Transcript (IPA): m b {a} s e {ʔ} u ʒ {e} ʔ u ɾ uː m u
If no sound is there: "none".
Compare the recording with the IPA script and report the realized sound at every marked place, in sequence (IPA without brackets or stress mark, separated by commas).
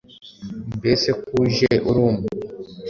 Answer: e, k, e